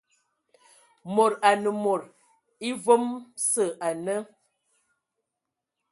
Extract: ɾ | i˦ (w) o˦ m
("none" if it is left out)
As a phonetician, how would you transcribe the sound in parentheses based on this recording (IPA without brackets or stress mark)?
v